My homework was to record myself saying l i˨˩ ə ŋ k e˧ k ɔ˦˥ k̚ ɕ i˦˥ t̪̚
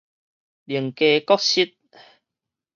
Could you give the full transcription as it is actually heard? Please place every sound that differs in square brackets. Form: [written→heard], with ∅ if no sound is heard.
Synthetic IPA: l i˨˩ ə ŋ k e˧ k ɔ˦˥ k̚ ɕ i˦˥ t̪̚